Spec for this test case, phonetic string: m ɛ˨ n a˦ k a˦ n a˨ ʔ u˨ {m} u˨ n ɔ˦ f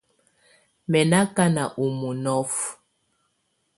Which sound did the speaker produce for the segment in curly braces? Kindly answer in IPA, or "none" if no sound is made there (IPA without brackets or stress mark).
m